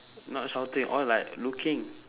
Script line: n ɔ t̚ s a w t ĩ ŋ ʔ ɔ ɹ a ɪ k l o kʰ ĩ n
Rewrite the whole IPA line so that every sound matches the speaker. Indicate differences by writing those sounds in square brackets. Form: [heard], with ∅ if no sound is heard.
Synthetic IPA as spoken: n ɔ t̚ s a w t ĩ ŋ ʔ ɔ [l] a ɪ k l [u] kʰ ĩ [ŋ]